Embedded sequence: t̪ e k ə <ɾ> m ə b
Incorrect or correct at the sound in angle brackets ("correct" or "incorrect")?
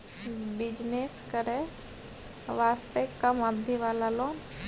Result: incorrect